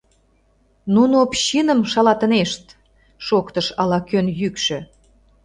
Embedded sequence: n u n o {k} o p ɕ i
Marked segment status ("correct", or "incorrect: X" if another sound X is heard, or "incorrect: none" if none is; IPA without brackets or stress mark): incorrect: none